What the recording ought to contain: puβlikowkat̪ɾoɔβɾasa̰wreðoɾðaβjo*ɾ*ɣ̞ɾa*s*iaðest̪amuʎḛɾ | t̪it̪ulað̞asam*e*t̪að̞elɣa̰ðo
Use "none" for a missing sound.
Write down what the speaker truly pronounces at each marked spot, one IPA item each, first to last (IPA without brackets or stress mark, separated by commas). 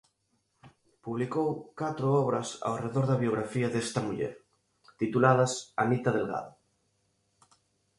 none, f, i